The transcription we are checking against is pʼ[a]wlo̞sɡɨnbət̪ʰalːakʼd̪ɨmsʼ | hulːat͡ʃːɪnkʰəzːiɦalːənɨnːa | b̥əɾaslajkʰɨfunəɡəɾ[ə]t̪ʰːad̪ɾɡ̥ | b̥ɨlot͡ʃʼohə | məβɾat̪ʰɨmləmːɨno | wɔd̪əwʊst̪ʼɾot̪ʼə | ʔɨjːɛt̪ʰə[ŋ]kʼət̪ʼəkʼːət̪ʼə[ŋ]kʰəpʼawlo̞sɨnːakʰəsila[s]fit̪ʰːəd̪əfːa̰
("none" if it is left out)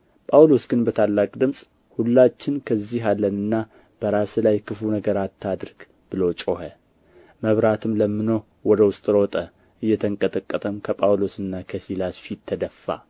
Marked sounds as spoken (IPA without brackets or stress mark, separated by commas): a, a, ŋ, m, s